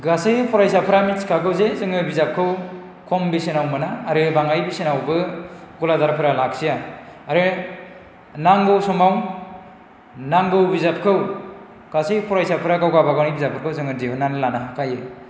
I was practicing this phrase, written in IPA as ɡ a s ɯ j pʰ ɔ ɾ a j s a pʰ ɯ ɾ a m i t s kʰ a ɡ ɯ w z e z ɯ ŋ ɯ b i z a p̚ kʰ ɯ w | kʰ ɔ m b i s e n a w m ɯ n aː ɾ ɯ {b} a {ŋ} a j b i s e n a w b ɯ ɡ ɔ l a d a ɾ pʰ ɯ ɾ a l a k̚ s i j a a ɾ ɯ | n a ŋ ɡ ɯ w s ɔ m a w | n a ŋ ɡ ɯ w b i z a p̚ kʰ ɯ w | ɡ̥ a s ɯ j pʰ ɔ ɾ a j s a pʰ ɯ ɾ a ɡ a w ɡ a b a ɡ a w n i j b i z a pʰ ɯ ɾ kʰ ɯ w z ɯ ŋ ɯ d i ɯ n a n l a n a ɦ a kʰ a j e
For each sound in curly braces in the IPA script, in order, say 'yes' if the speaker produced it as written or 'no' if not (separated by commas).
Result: yes, yes